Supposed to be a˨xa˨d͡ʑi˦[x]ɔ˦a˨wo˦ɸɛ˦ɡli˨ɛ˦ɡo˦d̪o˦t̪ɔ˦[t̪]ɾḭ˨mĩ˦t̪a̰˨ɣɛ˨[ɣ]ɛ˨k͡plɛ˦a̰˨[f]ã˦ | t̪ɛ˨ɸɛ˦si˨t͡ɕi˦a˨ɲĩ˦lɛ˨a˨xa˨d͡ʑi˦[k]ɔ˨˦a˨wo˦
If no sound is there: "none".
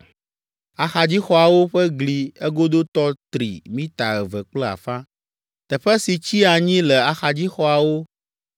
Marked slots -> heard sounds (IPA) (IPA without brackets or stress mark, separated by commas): x, t̪, v, f, x